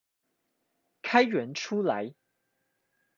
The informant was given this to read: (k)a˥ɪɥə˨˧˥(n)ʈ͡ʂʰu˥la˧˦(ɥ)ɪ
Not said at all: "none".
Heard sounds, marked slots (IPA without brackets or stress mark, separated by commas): kʰ, n, none